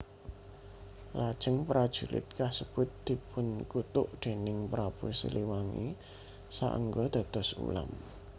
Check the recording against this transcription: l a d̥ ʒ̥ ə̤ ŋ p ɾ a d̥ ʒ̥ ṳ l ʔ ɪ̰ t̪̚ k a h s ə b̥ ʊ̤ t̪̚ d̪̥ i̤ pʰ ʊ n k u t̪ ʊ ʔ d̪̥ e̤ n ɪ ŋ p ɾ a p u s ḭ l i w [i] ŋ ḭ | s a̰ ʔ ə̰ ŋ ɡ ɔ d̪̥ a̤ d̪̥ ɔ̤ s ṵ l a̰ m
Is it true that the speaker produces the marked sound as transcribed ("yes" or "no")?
no